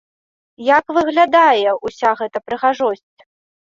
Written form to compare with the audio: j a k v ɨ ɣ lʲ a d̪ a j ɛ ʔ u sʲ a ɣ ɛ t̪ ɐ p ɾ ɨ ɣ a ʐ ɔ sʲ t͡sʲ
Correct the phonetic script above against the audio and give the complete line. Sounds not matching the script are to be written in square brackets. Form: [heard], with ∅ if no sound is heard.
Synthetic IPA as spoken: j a k v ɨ ɣ lʲ a d̪ a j ɛ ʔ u sʲ a ɣ ɛ t̪ ɐ p ɾ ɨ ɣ a ʐ ɔ sʲ t͡sʲ